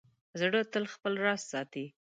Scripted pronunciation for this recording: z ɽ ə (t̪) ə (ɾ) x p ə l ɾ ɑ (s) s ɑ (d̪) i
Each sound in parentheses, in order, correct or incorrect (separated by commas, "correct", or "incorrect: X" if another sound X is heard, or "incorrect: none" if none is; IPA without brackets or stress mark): correct, incorrect: l, correct, incorrect: t̪